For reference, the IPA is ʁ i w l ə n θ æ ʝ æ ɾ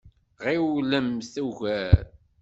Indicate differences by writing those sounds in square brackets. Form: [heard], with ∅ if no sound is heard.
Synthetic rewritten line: ʁ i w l ə [m] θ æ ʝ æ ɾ